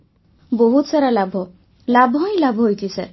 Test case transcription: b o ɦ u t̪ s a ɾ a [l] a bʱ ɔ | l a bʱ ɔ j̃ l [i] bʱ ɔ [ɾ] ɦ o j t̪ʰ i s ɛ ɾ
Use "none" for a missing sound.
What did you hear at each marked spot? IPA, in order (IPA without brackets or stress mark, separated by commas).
l, a, none